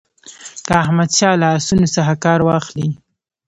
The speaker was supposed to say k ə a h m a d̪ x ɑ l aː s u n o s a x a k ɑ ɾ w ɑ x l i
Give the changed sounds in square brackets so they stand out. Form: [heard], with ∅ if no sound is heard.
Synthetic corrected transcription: k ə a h m a d̪ [ʃ] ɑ l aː s u n o s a x a k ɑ ɾ w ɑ x l i